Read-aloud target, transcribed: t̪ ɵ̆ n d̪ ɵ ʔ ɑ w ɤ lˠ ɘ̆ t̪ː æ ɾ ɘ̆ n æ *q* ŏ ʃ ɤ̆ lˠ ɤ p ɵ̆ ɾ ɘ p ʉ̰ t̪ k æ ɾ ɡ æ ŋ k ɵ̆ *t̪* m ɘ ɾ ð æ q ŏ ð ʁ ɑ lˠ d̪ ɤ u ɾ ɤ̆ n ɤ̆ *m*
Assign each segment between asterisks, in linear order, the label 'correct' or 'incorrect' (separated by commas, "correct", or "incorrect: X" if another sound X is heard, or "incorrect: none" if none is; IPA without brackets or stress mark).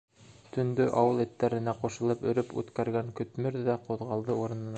correct, correct, incorrect: n